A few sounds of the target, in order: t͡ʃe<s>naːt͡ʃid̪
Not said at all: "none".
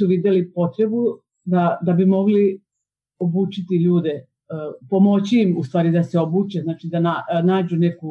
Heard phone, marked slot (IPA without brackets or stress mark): z